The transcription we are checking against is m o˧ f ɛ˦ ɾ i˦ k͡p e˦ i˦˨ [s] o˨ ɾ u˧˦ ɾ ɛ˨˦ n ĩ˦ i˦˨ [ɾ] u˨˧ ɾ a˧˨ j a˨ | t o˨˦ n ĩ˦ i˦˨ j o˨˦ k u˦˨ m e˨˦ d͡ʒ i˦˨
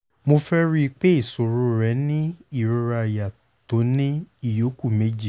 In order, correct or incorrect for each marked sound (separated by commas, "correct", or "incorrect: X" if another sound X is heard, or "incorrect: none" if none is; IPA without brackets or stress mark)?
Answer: correct, correct